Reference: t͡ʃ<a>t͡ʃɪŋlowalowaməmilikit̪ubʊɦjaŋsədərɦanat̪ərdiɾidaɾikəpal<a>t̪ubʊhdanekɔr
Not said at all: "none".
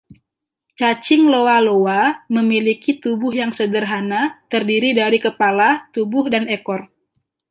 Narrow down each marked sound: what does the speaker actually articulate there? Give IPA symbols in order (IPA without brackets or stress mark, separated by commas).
a, a